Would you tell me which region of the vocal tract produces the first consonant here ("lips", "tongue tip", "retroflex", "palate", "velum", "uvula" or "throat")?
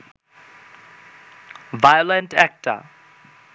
lips